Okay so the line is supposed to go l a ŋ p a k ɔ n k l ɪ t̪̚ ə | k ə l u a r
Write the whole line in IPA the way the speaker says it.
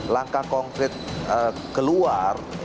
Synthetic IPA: l a ŋ k a k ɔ ŋ k ɾ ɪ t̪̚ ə | k ə l u a r